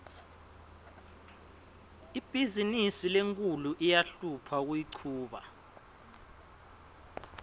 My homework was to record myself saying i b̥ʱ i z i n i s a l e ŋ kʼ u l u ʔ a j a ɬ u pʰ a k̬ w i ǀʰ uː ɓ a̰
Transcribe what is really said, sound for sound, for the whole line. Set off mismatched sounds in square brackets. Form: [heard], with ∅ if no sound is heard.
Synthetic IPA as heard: i b̥ʱ i z i n i s [i] l e ŋ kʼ u l u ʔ [i] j a ɬ u pʰ a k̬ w i ǀʰ uː ɓ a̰